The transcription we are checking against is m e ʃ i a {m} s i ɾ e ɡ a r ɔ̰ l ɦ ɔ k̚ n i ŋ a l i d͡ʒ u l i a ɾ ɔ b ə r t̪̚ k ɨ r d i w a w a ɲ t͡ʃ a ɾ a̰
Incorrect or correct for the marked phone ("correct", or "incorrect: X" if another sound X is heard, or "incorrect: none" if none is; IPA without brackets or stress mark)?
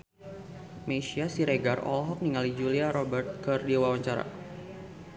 incorrect: none